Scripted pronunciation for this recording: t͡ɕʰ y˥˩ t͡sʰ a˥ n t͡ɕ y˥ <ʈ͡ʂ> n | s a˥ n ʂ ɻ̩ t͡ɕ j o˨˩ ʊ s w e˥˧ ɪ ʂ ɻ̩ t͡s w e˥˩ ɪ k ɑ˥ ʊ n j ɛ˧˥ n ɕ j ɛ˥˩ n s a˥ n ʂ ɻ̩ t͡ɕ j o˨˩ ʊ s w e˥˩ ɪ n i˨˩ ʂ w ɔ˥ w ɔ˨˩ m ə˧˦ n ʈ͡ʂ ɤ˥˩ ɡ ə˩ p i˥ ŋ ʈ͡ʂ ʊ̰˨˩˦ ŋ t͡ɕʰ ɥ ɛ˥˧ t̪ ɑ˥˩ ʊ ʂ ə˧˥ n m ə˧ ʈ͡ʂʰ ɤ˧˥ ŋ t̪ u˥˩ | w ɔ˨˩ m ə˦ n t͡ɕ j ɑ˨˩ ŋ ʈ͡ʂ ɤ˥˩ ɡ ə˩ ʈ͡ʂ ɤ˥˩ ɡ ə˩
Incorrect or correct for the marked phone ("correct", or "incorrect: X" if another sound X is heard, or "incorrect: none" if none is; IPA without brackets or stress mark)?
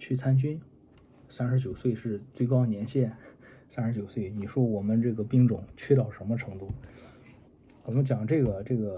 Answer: incorrect: none